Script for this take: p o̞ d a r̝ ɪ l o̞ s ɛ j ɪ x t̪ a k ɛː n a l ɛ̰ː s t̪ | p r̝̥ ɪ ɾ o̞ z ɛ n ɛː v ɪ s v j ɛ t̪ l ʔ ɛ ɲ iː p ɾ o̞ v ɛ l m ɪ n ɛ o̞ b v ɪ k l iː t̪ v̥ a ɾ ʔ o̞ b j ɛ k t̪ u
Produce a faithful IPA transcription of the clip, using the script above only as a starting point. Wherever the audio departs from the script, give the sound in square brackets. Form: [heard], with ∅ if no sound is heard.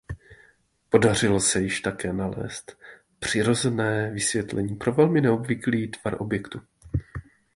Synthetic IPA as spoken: p o̞ d a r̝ ɪ l o̞ s ɛ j ɪ [ʃ] t̪ a k ɛː n a l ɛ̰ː s t̪ | p r̝̥ ɪ ɾ o̞ z ɛ n ɛː v ɪ s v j ɛ t̪ l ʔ ɛ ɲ iː p ɾ o̞ v ɛ l m ɪ n ɛ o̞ b v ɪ k l iː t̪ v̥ a ɾ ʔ o̞ b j ɛ k t̪ u